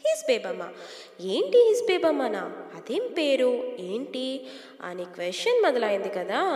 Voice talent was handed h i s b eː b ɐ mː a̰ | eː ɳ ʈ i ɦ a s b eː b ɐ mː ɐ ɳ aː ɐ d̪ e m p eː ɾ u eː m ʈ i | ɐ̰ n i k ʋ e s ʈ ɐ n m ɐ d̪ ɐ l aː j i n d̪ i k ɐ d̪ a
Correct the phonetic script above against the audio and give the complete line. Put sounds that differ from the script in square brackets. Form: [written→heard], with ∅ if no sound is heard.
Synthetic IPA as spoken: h i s b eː b ɐ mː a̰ | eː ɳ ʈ i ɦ [a→i] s b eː b ɐ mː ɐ [ɳ→n] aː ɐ d̪ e m p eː ɾ u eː [m→ɳ] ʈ i | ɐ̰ n i k ʋ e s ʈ ɐ n m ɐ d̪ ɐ l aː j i n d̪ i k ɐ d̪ a